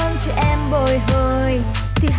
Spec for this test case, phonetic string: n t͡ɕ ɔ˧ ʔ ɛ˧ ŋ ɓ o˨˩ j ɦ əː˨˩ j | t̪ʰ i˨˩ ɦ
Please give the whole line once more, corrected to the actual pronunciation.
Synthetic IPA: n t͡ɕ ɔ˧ ʔ ɛ˧ m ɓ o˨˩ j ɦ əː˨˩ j | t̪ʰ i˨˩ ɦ